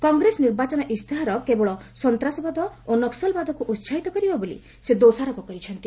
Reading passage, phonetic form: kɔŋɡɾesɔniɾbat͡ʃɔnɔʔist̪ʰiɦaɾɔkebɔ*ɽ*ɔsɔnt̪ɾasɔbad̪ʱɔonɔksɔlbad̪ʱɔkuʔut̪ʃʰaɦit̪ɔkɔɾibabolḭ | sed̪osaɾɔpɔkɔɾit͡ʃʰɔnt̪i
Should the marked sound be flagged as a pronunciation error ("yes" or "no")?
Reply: yes